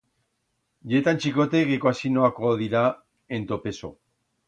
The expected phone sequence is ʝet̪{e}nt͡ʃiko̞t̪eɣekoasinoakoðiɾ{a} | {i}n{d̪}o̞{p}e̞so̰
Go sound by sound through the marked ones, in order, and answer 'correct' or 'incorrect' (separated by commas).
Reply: incorrect, correct, incorrect, incorrect, correct